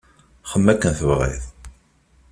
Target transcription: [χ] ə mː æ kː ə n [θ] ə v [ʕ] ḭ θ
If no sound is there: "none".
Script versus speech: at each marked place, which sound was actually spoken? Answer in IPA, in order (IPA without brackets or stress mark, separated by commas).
χ, θ, ʁ